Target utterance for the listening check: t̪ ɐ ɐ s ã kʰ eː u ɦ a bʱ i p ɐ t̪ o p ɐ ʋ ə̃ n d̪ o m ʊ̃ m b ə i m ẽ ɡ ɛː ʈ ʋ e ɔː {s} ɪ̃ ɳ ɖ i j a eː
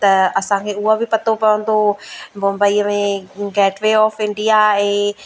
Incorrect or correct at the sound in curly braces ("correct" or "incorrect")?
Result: incorrect